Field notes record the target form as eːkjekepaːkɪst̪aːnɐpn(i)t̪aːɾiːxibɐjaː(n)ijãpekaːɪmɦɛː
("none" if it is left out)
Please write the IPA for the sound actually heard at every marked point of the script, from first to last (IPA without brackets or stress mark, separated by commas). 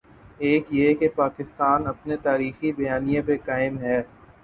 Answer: e, n